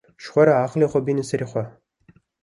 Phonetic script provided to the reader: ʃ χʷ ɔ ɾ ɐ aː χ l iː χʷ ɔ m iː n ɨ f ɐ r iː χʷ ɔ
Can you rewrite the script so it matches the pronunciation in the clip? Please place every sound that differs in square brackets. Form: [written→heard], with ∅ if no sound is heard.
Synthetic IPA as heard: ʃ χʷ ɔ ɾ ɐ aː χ l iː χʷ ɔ [m→b] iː n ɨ [f→s] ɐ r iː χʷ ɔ